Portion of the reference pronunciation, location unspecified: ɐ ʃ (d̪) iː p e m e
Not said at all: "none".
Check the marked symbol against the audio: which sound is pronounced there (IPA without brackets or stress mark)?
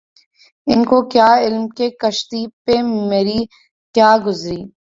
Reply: t̪